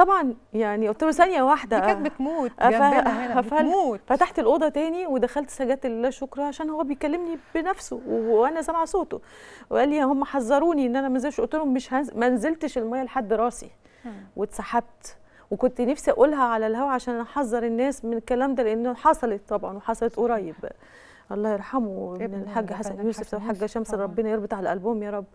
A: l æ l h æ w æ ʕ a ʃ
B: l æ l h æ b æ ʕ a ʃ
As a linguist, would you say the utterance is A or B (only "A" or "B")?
A